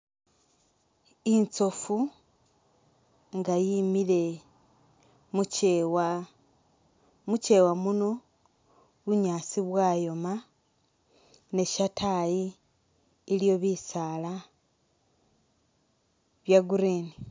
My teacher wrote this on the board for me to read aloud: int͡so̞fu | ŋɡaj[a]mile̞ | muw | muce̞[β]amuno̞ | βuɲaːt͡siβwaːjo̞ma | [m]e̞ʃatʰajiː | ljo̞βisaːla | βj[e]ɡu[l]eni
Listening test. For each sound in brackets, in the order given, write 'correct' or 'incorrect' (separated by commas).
incorrect, incorrect, incorrect, incorrect, incorrect